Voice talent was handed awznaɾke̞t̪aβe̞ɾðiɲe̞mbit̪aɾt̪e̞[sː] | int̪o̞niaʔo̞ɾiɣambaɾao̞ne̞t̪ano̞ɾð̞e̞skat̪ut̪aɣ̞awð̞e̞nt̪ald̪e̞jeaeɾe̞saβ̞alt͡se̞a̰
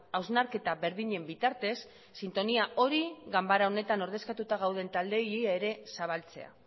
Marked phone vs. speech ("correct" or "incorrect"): correct